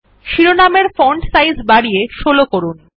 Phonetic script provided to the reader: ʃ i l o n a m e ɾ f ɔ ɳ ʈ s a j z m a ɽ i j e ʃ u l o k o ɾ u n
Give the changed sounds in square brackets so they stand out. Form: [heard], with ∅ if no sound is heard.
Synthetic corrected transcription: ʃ i [ɾ] o n a m e ɾ f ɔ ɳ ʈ s a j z [b] a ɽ i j e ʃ [o] l o k o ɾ u n